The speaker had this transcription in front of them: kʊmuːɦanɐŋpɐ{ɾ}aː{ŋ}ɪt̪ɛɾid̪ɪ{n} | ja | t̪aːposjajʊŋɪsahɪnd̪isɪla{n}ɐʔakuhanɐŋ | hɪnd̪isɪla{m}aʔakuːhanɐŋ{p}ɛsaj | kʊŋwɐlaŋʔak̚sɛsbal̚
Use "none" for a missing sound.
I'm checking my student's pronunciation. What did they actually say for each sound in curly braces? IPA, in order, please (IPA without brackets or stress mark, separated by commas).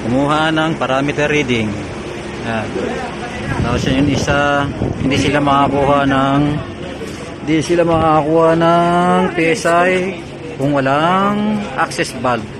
ɾ, m, ŋ, m, m, p